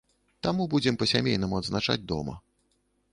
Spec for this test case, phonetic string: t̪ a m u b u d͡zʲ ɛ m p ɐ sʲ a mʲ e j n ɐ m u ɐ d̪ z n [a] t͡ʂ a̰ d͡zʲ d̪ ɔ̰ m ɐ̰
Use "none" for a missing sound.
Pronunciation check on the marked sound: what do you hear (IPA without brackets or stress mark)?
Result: a